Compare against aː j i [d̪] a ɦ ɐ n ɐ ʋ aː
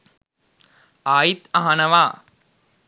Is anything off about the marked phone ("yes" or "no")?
yes